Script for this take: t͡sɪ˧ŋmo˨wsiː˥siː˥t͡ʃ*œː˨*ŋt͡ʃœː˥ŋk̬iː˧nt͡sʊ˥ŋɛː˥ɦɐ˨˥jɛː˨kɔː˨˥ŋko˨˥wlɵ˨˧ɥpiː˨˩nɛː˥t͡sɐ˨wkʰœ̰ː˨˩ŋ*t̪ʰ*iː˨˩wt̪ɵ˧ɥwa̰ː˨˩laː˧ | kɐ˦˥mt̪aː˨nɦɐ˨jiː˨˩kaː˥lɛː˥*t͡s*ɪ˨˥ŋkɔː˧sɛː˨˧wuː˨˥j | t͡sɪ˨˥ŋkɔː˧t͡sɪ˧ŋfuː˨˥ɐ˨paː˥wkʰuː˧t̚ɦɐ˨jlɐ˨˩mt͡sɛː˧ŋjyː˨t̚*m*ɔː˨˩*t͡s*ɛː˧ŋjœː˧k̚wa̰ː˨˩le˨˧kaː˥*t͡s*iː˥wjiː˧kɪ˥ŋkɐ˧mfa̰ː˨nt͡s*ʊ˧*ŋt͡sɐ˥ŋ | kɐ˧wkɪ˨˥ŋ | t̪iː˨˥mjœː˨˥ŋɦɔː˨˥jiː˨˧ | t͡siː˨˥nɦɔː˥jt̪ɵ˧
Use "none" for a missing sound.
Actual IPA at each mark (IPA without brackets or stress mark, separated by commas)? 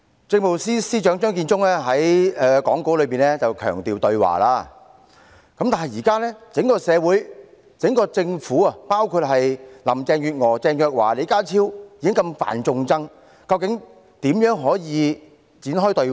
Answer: œː˨˥, t̪, t͡s, ŋ, t͡s, t͡sʰ, ʊ˧